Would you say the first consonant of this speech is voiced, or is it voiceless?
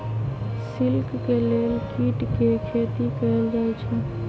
voiceless